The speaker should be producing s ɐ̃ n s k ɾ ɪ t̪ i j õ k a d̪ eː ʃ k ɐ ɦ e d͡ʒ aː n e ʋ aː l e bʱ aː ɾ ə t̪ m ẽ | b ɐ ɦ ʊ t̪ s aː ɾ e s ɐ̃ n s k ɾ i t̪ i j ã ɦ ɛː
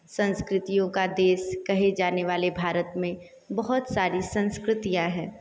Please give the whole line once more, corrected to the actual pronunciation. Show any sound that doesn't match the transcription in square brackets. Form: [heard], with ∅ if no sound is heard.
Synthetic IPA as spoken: s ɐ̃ n s k ɾ ɪ t̪ i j õ k a d̪ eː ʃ k ɐ ɦ e d͡ʒ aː n e ʋ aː l e bʱ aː ɾ ə t̪ m ẽ | b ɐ ɦ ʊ t̪ s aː ɾ [i] s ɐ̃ n s k ɾ [ɪ] t̪ i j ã ɦ ɛː

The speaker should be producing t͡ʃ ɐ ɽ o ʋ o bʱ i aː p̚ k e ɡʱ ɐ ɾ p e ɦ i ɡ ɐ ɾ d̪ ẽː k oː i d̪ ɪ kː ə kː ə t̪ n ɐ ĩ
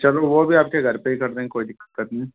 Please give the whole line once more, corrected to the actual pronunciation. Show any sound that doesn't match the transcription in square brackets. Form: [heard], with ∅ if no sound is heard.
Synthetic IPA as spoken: t͡ʃ ɐ [l] o ʋ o bʱ i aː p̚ k e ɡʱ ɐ ɾ p e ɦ i [k] ɐ ɾ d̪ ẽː k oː i d̪ ɪ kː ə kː ə t̪ n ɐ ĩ

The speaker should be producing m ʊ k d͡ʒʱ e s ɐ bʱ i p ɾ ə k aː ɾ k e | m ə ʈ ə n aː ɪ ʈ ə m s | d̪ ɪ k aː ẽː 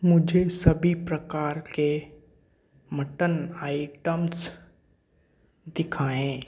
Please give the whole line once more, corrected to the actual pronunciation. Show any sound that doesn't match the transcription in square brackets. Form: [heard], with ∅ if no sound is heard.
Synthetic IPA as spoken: m ʊ [∅] d͡ʒʱ e s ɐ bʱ i p ɾ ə k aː ɾ k e | m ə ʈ ə n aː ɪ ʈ ə m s | d̪ ɪ [kʰ] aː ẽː

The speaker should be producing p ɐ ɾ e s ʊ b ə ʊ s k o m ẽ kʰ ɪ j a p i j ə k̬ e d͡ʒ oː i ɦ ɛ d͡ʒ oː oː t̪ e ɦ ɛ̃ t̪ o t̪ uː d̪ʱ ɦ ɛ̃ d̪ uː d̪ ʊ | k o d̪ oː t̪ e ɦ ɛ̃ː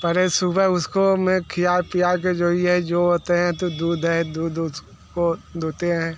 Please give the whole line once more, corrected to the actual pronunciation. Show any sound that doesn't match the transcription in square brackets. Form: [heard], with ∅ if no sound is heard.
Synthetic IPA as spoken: p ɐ ɾ e s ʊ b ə ʊ s k o m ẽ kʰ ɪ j a p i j [a] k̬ e d͡ʒ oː i ɦ ɛ d͡ʒ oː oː t̪ e ɦ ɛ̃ t̪ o [d̪] uː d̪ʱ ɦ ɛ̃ d̪ uː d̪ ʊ | k o d̪ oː t̪ e ɦ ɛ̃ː

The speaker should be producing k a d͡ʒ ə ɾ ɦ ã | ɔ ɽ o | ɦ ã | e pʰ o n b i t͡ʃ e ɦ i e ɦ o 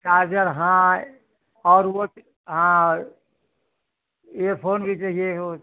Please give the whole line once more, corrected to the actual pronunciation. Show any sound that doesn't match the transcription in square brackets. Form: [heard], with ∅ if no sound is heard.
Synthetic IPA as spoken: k a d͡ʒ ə ɾ ɦ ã | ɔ [ɾ] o | ɦ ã | e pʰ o n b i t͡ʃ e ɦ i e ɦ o

